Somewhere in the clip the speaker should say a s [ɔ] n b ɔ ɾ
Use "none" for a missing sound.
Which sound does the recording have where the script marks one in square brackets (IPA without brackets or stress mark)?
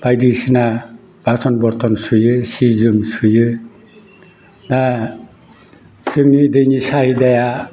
ɔ